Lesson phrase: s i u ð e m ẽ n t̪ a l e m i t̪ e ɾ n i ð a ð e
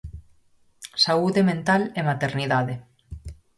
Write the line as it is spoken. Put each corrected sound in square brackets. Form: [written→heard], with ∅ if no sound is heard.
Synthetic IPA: s [i→a] u ð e m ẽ n t̪ a l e m [i→a] t̪ e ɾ n i ð a ð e